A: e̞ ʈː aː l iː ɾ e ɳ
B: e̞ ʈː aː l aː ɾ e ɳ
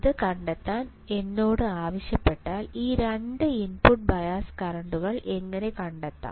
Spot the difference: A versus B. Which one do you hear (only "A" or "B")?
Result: A